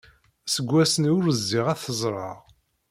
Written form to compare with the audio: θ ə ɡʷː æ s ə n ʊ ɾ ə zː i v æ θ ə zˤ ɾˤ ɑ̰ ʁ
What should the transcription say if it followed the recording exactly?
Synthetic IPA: s ə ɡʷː æ s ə n ʊ ɾ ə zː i ʁ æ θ ə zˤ ɾˤ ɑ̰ ʁ

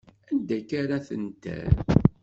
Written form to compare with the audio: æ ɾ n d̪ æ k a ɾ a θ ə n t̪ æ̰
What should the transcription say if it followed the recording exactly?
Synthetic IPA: æ n d̪ æ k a ɾ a θ ə n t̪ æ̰

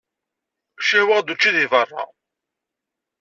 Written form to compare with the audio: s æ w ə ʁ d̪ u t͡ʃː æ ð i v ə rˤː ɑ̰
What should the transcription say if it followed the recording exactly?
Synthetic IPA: ʃ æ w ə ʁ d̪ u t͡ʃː i ð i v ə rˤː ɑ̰

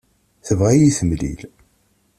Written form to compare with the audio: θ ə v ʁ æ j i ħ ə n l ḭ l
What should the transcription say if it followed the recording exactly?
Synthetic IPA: θ ə v ʁ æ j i θ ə m l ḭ l

